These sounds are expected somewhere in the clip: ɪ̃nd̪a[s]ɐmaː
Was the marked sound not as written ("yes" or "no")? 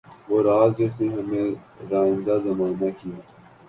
yes